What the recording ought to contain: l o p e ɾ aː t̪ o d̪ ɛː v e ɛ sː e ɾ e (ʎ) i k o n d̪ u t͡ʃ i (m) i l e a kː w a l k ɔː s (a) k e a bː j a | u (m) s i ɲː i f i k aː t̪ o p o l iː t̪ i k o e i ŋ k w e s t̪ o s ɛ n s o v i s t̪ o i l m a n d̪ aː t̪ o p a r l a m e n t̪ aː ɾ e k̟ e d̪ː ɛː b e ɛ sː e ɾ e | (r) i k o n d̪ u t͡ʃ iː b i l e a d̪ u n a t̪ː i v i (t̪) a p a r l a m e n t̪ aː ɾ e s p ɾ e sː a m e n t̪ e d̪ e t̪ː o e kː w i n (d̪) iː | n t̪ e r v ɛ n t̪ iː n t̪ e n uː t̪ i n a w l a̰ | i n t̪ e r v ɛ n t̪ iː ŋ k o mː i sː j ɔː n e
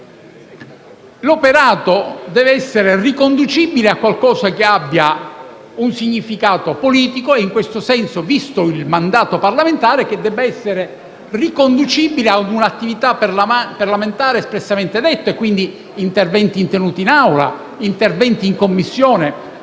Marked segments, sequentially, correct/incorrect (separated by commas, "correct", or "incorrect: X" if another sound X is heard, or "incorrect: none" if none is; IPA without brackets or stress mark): incorrect: r, incorrect: b, correct, incorrect: n, correct, correct, correct